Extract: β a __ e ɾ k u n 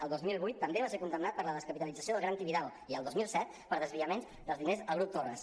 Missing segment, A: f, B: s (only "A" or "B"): B